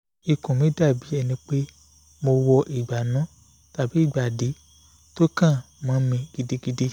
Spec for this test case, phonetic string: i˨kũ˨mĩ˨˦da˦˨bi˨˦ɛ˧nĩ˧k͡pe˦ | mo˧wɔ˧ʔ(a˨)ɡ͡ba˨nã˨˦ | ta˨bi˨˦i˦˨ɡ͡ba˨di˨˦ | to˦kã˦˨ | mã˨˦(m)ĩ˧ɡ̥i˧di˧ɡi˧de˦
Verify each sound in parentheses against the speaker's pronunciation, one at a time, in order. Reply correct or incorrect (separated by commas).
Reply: incorrect, correct